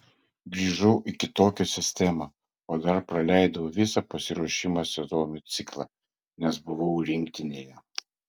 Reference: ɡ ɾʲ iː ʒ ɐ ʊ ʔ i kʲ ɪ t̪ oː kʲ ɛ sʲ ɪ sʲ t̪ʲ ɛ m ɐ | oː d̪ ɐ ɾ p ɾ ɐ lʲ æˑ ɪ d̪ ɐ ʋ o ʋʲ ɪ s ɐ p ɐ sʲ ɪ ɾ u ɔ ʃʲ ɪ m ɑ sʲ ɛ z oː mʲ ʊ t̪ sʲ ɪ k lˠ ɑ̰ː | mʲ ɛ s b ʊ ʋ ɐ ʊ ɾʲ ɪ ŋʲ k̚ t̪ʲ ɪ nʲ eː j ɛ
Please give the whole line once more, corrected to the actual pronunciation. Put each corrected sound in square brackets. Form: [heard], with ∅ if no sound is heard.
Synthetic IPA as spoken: ɡ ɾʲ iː ʒ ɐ ʊ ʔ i kʲ ɪ t̪ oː kʲ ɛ sʲ ɪ sʲ t̪ʲ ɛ m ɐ | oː d̪ ɐ ɾ p ɾ ɐ lʲ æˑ ɪ d̪ ɐ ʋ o ʋʲ ɪ s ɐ p ɐ sʲ ɪ ɾ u ɔ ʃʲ ɪ m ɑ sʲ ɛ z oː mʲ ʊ t̪ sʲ ɪ k lˠ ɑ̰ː | [nʲ] ɛ s b ʊ ʋ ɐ ʊ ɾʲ ɪ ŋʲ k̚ t̪ʲ ɪ nʲ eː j ɛ